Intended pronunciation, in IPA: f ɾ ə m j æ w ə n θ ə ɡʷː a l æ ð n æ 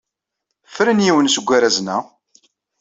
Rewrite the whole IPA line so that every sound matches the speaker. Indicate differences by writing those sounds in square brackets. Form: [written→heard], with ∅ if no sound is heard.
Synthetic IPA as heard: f ɾ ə [m→n] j [æ→i] w ə n [θ→s] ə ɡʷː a [l→ɾ] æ [ð→z] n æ